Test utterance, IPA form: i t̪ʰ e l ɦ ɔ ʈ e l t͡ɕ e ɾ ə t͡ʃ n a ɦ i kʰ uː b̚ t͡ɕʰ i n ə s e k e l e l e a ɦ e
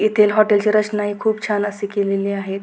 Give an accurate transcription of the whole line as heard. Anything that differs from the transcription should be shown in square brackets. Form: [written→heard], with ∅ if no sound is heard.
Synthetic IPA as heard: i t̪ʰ e l ɦ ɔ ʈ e l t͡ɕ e ɾ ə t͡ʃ n a ɦ i kʰ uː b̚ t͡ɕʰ [i→a] n ə s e k e l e l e a ɦ e

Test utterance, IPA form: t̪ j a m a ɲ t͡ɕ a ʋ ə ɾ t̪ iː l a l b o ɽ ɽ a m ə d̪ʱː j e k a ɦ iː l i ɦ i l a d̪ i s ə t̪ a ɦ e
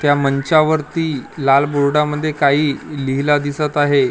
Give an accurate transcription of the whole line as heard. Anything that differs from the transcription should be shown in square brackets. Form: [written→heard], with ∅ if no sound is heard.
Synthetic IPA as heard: t̪ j a m [a→ə] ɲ t͡ɕ a ʋ ə ɾ t̪ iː l a l b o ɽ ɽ a m ə d̪ʱː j e k a ɦ iː l i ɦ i l a d̪ i s ə t̪ a ɦ e

